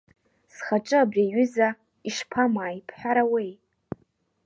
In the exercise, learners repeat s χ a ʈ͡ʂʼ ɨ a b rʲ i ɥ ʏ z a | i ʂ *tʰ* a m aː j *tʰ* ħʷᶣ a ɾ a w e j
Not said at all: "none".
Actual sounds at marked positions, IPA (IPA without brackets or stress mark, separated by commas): pʰ, pʰ